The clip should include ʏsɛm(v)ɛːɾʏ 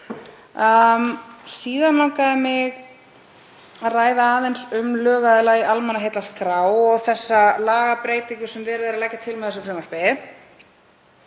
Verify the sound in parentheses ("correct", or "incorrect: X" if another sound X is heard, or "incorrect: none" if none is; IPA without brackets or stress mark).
correct